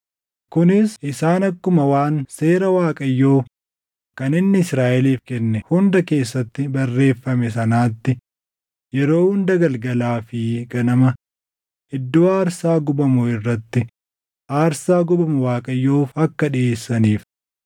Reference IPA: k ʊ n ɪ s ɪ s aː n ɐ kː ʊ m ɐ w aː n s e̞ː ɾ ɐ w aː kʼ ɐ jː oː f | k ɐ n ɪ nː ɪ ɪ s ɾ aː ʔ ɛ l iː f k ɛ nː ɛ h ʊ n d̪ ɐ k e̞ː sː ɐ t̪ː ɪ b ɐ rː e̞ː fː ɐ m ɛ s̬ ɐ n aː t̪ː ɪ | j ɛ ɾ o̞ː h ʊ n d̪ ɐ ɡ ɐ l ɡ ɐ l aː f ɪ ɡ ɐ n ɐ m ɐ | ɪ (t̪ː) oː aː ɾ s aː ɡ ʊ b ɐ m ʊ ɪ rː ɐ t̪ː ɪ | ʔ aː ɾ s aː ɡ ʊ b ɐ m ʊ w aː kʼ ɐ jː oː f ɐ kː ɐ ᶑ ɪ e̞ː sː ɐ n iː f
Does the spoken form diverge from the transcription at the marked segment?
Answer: yes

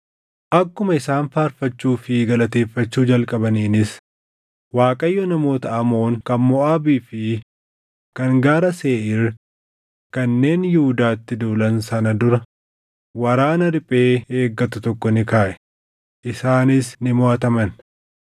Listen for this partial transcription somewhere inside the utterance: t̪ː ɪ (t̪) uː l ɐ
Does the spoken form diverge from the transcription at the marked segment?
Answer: yes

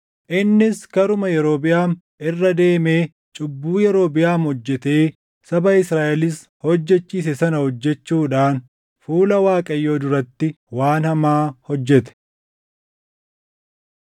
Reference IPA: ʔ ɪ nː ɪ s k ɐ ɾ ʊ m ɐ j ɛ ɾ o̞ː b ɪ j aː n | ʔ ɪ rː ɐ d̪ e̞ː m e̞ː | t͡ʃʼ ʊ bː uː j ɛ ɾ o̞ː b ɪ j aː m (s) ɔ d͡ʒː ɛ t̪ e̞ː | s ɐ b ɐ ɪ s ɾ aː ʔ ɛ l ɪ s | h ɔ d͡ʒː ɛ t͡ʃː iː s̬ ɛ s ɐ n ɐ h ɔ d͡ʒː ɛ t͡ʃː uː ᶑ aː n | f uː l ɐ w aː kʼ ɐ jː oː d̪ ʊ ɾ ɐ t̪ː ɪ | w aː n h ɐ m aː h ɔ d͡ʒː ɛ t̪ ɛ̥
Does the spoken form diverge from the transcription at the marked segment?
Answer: yes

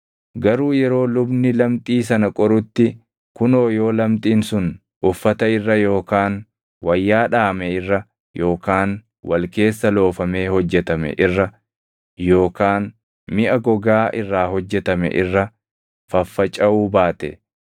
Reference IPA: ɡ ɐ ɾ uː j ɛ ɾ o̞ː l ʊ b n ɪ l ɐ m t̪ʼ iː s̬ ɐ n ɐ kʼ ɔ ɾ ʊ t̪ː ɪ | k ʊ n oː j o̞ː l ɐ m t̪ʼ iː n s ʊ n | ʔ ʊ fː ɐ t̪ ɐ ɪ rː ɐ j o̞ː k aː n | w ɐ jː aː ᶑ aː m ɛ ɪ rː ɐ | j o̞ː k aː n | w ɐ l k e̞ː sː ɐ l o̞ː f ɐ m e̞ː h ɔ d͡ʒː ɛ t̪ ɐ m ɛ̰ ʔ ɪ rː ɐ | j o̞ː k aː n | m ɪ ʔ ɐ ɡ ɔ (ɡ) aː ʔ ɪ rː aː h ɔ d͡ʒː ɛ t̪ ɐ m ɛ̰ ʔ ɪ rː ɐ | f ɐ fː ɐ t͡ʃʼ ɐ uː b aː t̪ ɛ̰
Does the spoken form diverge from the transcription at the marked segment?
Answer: no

